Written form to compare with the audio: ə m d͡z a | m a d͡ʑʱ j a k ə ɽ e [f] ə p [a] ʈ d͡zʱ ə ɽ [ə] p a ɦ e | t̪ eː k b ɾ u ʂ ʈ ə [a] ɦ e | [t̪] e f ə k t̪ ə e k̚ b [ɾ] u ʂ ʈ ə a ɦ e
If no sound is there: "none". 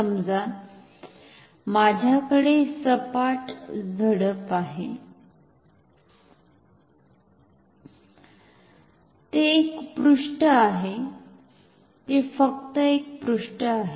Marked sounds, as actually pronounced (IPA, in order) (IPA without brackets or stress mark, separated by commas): s, a, ə, a, t̪, ɾ